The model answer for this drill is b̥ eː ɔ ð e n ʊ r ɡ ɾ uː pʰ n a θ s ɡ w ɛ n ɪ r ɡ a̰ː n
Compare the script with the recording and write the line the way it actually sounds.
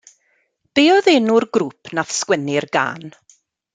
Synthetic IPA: b̥ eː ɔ ð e n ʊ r ɡ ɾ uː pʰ n a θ s k w ɛ n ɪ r ɡ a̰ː n